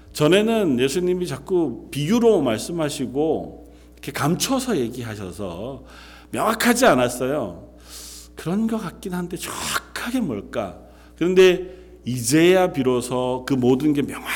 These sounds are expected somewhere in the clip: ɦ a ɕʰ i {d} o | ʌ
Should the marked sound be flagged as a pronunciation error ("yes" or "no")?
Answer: yes